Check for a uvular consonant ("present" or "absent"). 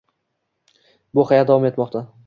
present